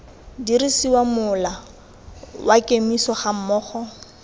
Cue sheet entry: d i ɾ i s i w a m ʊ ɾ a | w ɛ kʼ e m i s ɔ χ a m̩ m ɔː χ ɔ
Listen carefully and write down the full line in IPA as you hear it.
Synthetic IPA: d i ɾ i s i w a m ʊ l a | w a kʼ e m i s ɔ χ a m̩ m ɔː χ ɔ